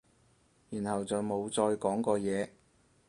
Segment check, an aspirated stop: absent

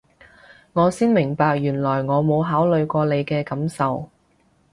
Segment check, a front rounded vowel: present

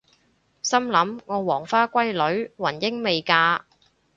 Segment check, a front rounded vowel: absent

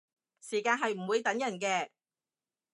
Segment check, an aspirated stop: absent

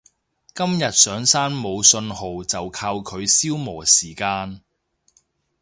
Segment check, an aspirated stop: present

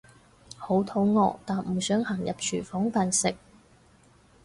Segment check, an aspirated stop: present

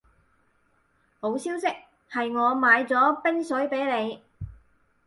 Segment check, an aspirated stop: absent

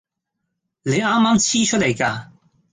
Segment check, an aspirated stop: present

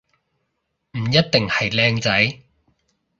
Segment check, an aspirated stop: absent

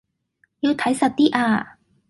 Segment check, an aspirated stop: present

